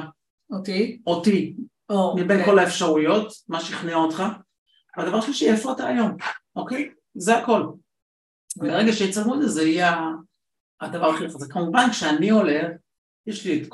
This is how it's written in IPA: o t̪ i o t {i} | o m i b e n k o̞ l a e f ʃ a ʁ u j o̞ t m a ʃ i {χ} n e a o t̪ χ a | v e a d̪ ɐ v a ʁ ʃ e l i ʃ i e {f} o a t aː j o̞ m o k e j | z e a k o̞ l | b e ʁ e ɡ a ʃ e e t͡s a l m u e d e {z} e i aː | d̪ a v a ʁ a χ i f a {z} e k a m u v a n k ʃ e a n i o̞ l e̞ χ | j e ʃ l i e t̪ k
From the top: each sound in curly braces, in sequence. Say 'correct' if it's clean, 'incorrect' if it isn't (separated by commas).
correct, correct, correct, correct, correct